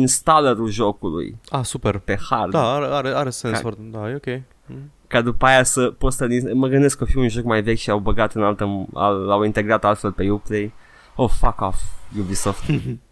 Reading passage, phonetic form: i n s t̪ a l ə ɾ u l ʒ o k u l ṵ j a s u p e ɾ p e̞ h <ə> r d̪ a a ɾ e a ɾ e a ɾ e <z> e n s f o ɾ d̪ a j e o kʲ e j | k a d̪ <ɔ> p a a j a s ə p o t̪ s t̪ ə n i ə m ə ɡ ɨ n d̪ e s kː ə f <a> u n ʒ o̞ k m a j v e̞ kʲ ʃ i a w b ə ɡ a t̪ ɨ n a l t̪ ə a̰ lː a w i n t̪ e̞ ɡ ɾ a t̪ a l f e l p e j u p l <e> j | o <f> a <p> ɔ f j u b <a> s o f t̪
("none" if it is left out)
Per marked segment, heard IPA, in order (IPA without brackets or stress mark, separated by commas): a, s, u, i, e, f, k, i